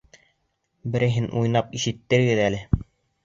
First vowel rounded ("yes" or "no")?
no